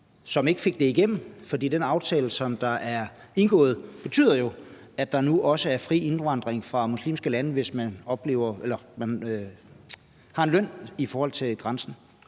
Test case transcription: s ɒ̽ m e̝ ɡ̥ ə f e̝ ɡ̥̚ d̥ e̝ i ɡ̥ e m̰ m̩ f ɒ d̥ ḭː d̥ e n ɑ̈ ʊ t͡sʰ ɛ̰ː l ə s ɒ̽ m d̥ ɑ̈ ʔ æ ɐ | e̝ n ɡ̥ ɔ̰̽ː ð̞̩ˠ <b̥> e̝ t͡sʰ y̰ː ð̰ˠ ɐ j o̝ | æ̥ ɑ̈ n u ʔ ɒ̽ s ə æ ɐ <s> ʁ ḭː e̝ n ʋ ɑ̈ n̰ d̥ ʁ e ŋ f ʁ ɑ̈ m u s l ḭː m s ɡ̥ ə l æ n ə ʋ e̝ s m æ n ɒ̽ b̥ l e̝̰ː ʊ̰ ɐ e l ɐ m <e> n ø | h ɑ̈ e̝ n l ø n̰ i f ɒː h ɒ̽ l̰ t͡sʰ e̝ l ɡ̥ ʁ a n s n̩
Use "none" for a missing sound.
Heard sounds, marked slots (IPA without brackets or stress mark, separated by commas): b̥, f, æ